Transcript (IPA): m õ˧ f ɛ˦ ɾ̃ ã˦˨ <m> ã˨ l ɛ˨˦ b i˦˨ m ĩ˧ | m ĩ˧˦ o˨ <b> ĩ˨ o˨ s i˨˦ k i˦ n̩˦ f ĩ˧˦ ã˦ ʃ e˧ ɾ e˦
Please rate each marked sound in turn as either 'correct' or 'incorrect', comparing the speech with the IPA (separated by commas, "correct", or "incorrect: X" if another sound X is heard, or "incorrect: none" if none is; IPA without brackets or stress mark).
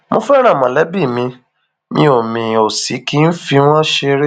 correct, incorrect: m